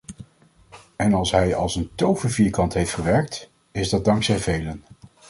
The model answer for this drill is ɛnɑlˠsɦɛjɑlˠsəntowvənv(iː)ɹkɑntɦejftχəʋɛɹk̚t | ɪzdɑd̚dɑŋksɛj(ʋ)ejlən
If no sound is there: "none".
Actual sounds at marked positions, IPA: iː, v

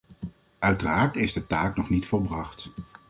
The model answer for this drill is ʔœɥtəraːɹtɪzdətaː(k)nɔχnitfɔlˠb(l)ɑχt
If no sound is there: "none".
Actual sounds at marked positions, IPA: k, r

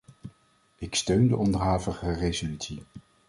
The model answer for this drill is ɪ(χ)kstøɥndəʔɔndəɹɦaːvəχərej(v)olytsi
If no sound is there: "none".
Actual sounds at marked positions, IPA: none, z

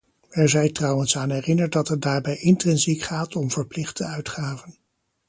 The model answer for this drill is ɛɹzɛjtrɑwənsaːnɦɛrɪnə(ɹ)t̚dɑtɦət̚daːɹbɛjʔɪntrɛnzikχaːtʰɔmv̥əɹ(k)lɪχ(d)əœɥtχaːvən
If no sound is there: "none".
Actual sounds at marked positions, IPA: ɹ, p, t

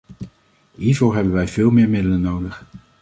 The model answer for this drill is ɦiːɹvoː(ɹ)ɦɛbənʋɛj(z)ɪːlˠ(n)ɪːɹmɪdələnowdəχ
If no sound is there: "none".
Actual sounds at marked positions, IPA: ɹ, v, m

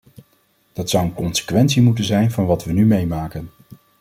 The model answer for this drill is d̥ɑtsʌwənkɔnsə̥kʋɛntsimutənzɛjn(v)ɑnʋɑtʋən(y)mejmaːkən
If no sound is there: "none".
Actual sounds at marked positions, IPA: v, y

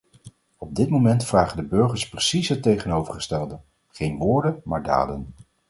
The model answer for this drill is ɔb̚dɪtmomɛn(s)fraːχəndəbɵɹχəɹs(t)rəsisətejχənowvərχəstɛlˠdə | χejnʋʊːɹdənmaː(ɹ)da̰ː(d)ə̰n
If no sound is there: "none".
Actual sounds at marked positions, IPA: t, p, ɹ, d

